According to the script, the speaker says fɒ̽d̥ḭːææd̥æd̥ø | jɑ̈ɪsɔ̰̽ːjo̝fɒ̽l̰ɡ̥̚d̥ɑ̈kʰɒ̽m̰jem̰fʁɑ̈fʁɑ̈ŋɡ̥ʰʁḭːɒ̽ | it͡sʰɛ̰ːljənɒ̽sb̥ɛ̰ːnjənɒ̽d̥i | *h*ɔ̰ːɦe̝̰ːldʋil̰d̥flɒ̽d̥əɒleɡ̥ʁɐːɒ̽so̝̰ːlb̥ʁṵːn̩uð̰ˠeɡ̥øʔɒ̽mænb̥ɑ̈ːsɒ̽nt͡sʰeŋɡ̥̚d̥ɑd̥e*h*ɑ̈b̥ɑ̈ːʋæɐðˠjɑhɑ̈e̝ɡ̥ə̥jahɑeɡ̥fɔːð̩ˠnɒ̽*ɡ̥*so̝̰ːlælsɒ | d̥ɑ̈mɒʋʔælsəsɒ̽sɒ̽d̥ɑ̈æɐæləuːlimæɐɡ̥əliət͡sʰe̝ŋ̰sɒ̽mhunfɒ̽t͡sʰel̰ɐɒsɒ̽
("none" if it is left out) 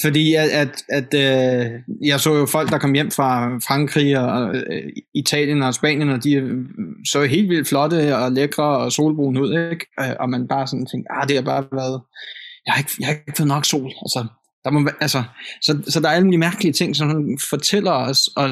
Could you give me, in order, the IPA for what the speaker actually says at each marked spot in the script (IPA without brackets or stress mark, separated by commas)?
s, h, ɡ̥